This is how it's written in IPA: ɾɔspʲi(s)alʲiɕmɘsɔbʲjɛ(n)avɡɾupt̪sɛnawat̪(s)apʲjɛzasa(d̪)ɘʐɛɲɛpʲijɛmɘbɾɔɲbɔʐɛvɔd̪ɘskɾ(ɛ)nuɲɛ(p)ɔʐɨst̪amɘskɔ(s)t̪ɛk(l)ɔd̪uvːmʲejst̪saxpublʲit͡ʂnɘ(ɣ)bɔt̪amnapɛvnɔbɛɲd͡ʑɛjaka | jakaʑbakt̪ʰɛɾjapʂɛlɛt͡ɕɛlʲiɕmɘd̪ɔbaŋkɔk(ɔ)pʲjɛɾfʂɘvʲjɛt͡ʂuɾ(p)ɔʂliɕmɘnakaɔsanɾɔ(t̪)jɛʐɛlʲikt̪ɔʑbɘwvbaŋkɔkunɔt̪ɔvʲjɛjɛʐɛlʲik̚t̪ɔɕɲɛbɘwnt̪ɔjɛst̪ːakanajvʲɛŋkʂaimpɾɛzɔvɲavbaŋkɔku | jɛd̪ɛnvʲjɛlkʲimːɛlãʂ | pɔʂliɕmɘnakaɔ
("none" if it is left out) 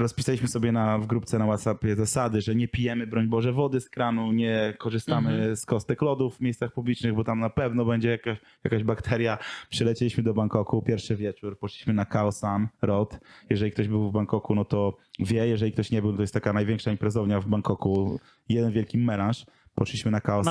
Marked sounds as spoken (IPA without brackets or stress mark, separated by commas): s, n, s, d̪, a, k, s, l, ɣ, u, p, t̪